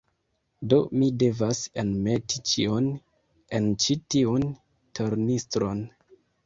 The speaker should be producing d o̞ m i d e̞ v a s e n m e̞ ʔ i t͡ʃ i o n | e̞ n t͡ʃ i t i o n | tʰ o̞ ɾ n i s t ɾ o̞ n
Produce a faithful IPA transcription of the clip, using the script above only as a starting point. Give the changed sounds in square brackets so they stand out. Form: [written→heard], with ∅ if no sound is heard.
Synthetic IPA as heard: d o̞ m i d e̞ v a s e n m e̞ [ʔ→t] i t͡ʃ i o n | e̞ n t͡ʃ i t i [o→u] n | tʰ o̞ ɾ n i s t ɾ o̞ n